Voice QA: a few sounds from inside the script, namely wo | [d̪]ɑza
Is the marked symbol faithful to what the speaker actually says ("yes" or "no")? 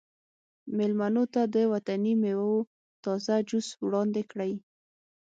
no